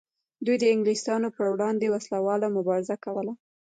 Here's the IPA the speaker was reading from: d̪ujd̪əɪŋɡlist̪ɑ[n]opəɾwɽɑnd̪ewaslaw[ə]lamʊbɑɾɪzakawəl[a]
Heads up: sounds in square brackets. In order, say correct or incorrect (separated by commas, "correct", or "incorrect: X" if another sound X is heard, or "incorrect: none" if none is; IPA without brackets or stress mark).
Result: correct, incorrect: ɑ, correct